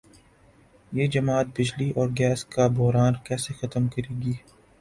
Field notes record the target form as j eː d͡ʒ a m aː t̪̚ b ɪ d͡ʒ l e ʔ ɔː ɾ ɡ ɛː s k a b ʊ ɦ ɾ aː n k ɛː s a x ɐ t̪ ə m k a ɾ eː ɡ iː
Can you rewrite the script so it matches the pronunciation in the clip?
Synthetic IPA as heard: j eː d͡ʒ ɐ m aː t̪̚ b ɪ d͡ʒ l i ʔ ɔː ɾ ɡ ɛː s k a b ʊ ɦ ɾ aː n k ɛː s e x ɐ t̪ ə m k ɐ ɾ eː ɡ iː